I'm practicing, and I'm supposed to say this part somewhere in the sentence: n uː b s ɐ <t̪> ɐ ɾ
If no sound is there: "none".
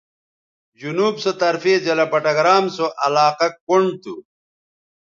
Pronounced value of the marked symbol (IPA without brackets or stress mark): t̪